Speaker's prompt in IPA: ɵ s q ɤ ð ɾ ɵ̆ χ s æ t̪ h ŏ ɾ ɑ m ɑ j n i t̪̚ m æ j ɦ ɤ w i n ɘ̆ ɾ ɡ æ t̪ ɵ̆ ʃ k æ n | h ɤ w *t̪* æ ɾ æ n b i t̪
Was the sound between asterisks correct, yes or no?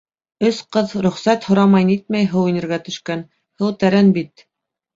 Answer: yes